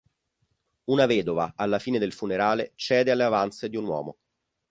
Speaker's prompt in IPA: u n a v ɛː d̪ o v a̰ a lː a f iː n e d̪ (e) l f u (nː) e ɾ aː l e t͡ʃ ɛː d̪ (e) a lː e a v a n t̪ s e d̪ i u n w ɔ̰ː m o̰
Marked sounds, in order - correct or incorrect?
correct, incorrect, correct

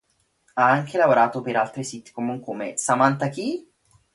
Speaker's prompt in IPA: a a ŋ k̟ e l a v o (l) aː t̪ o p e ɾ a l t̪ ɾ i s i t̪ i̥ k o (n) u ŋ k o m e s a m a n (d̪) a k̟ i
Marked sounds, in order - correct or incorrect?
incorrect, incorrect, incorrect

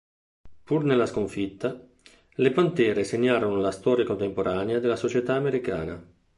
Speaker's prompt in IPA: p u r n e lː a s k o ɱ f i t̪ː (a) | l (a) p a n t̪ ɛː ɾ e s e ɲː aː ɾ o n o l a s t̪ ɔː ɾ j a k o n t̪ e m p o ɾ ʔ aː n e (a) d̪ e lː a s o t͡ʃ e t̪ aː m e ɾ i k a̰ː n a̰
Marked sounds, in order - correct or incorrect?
correct, incorrect, correct

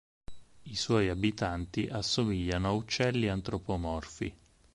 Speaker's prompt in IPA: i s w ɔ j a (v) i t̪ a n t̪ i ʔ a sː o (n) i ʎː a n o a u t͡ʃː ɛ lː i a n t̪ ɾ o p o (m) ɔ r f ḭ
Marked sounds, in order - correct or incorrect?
incorrect, incorrect, correct

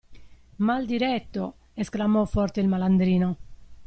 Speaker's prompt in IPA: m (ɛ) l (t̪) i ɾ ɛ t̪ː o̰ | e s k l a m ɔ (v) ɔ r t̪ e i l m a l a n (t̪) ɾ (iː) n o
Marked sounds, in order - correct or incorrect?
incorrect, incorrect, incorrect, incorrect, correct

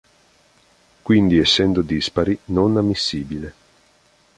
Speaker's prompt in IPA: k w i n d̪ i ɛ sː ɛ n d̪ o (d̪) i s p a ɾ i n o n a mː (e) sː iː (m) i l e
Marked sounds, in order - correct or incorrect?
correct, incorrect, incorrect

